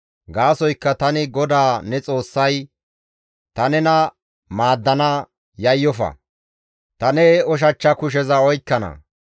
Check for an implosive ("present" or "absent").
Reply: absent